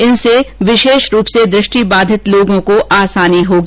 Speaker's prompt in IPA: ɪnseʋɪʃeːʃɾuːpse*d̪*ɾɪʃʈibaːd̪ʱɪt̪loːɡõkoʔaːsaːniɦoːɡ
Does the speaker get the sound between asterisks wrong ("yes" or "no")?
no